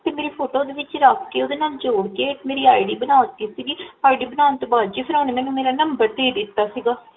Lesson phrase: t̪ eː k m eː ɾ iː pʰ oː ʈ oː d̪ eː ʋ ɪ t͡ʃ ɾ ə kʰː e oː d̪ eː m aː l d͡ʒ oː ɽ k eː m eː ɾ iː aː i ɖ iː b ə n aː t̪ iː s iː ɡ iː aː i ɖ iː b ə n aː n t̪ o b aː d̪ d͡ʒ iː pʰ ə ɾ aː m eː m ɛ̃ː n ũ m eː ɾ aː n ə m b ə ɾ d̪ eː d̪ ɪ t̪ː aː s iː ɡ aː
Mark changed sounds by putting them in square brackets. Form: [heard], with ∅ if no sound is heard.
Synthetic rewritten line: t̪ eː [∅] m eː ɾ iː pʰ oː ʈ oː d̪ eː ʋ ɪ t͡ʃ ɾ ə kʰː e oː d̪ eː [n] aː l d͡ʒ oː ɽ k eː m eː ɾ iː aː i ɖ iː b ə n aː t̪ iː s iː ɡ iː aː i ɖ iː b ə n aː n t̪ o b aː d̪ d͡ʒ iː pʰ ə ɾ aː [n] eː m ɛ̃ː n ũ m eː ɾ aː n ə m b ə ɾ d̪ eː d̪ ɪ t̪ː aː s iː ɡ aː